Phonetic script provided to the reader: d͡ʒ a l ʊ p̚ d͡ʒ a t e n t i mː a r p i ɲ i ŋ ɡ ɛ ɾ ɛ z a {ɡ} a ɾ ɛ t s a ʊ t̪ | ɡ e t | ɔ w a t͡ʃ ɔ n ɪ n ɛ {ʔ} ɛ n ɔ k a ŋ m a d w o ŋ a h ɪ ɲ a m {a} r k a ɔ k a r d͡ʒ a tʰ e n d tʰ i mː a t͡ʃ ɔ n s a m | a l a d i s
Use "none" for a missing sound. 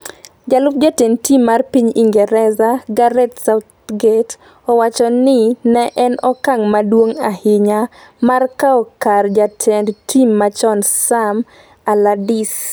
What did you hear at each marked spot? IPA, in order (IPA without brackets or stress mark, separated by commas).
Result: ɡ, ʔ, a